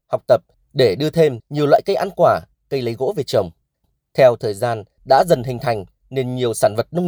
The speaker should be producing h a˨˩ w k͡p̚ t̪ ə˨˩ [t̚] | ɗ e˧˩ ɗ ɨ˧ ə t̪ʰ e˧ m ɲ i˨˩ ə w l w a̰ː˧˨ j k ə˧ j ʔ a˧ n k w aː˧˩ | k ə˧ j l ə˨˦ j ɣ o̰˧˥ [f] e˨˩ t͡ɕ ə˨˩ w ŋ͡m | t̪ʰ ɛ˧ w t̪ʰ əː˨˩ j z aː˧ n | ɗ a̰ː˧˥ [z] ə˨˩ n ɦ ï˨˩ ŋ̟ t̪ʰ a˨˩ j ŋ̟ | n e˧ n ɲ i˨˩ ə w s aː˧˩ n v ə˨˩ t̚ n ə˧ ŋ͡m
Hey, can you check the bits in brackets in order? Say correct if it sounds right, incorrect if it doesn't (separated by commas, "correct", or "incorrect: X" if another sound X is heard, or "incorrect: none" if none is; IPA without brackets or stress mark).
incorrect: p̚, incorrect: v, correct